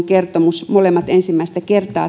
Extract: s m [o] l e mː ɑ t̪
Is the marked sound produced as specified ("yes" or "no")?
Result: yes